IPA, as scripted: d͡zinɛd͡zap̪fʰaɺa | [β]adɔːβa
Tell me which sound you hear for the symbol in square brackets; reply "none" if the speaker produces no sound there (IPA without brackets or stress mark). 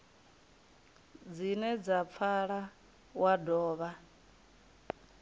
w